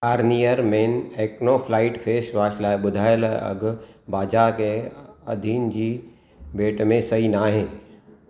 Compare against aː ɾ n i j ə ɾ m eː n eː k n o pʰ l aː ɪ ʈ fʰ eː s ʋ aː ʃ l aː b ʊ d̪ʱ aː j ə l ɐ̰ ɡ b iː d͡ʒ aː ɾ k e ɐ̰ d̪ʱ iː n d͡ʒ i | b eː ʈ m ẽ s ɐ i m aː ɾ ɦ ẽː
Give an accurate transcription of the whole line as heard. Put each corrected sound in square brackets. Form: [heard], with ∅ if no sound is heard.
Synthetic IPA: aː ɾ n i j ə ɾ m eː n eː k n o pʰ l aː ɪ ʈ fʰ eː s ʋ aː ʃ l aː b ʊ d̪ʱ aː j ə l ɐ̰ ɡ b [aː] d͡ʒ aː ɾ k e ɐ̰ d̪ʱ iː n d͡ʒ i | b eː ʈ m ẽ s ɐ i [n] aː [∅] ɦ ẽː